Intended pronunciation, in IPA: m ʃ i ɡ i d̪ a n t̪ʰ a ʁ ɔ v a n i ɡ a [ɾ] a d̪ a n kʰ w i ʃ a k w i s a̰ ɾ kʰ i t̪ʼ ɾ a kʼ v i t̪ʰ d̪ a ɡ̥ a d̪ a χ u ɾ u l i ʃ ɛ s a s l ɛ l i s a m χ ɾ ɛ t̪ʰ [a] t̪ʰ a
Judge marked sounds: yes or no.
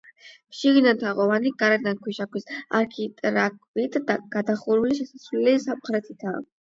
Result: yes, no

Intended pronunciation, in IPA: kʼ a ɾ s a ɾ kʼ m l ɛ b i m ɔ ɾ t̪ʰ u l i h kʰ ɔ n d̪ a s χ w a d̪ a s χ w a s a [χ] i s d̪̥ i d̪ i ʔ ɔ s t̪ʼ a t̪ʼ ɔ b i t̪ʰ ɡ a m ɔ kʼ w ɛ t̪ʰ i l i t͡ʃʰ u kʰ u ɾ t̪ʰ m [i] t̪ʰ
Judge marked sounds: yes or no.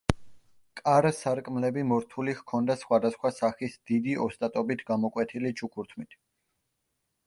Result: yes, yes

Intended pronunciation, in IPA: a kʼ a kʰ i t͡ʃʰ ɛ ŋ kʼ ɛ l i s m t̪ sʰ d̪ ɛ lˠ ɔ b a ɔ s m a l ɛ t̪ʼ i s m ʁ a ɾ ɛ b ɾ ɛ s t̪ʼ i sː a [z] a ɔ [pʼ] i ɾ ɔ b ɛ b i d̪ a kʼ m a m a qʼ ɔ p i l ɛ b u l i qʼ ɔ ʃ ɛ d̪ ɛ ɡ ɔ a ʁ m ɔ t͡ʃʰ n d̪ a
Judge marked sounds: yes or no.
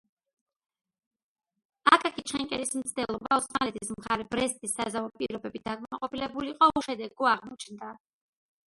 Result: yes, yes

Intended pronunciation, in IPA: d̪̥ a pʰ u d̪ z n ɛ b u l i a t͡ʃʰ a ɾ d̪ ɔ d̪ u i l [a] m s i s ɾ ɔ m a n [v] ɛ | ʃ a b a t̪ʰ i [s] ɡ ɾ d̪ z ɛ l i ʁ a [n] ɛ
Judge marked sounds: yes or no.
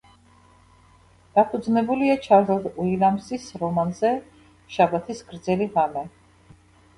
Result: yes, no, yes, no

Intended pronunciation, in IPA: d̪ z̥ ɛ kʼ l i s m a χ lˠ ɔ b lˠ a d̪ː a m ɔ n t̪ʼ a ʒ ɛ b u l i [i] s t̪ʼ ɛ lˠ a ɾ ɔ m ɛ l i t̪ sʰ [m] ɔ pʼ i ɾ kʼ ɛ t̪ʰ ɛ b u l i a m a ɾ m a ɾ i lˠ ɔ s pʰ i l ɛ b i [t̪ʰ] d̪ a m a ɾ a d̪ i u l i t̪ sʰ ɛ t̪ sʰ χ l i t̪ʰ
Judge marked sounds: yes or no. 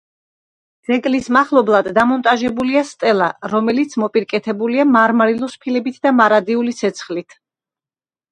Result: no, yes, yes

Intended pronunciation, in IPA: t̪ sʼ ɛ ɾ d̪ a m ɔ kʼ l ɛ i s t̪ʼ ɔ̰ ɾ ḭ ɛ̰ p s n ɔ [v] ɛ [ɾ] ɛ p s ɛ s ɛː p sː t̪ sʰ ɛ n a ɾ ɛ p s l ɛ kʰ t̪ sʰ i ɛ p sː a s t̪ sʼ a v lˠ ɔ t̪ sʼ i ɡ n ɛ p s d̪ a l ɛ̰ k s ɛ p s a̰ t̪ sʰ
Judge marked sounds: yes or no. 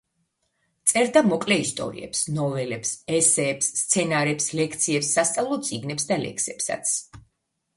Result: yes, no

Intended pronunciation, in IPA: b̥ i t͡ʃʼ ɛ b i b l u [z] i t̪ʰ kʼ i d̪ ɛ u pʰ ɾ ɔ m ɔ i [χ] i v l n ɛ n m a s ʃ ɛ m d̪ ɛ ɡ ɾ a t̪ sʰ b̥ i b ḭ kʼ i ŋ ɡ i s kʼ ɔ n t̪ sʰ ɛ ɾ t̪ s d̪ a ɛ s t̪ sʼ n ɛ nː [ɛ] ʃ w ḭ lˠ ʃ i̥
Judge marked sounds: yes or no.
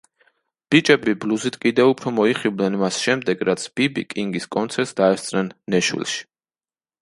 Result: yes, yes, yes

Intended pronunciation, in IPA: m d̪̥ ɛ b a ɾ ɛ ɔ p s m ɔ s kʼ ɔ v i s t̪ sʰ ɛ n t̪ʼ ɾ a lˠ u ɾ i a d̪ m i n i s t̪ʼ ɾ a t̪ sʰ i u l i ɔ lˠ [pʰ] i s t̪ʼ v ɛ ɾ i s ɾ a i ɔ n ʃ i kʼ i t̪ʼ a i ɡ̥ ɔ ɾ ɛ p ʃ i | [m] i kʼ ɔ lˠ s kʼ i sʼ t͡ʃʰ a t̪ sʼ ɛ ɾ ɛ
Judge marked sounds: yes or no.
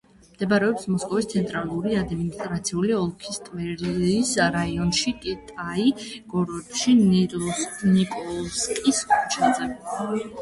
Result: no, no

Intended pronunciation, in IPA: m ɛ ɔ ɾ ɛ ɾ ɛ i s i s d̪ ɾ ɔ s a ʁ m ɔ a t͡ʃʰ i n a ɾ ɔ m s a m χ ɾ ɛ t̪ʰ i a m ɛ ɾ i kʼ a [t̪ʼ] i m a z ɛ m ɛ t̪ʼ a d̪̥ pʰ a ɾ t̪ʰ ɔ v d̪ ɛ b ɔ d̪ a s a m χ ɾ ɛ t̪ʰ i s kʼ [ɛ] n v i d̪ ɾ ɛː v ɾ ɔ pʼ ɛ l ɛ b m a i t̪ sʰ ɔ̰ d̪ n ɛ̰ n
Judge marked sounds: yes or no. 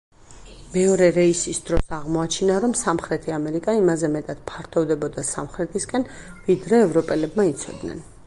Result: no, yes

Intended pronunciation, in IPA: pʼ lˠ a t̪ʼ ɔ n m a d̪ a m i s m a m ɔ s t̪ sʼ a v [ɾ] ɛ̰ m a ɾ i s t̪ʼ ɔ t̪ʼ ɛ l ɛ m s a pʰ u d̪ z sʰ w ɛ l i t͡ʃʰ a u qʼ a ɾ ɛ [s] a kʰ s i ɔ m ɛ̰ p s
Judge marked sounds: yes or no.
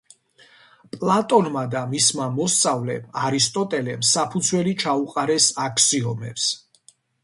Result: no, yes

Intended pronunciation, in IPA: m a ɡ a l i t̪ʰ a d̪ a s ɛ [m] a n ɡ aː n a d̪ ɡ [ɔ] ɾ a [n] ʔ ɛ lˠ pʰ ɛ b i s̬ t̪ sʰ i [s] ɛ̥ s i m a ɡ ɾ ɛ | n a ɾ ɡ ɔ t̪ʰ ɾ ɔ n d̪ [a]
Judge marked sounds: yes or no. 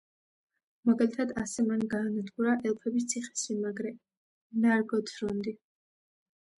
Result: yes, no, no, no, no

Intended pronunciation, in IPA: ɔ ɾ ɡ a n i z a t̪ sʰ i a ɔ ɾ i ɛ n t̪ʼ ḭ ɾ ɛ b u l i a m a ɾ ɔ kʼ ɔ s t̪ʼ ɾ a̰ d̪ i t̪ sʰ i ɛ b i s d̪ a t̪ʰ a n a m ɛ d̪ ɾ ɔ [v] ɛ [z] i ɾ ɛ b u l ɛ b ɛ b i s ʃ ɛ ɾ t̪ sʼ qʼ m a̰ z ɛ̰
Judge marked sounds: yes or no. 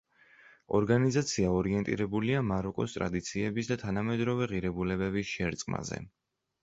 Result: yes, no

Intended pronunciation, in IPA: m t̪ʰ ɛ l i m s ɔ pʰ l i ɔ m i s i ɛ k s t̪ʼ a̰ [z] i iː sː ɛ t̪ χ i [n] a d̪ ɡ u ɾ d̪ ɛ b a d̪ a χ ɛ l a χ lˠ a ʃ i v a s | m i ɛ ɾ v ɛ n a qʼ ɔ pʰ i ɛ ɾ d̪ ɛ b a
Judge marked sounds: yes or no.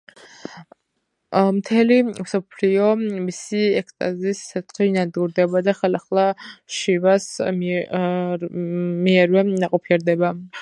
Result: yes, yes

